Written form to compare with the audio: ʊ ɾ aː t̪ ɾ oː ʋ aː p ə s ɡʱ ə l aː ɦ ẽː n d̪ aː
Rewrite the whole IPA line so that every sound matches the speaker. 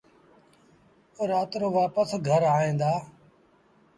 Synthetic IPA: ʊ ɾ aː t̪ ɾ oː ʋ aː p ə s ɡʱ ə ɾ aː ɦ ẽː n d̪ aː